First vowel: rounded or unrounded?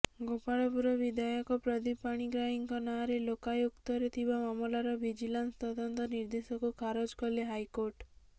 rounded